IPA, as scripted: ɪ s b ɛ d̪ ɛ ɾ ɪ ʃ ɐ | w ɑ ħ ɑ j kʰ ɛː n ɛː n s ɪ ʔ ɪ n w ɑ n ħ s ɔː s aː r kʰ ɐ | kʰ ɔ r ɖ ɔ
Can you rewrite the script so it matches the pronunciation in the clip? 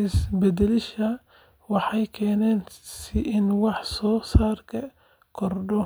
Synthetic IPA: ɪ s b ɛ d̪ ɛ l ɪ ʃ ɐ | w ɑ ħ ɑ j kʰ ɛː n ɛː n s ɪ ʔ ɪ n w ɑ ħ s ɔː s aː r kʰ ɐ | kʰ ɔ r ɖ ɔ